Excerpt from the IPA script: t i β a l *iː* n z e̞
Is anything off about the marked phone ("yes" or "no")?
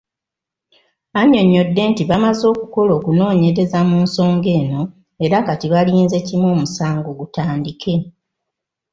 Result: no